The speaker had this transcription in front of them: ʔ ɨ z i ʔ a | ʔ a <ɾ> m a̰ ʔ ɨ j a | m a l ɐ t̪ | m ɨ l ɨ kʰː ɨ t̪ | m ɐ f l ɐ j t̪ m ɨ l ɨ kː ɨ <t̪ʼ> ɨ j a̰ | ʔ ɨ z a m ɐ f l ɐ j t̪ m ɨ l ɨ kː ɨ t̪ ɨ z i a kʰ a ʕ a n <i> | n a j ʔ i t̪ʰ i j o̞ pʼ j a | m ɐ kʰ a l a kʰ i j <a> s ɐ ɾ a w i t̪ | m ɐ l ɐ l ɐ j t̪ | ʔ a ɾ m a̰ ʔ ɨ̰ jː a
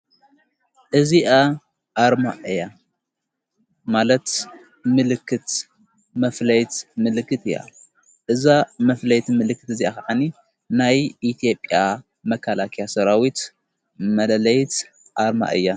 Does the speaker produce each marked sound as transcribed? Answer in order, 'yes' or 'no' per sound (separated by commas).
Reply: yes, no, yes, yes